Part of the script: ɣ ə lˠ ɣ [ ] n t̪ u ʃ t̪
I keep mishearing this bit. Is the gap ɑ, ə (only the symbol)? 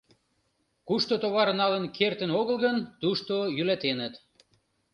ə